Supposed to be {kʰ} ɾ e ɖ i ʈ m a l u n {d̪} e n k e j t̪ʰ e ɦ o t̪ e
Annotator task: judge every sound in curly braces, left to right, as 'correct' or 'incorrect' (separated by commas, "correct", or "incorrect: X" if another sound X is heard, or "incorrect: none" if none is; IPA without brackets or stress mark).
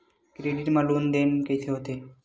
incorrect: k, correct